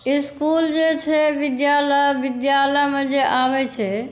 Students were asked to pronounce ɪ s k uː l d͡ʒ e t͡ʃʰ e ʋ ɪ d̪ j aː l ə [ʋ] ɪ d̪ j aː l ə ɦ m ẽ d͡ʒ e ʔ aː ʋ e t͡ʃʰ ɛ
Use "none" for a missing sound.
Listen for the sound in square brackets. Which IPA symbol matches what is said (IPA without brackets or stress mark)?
ʋ